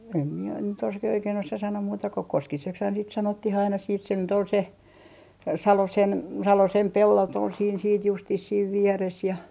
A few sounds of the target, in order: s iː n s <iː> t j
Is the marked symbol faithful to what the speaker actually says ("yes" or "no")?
yes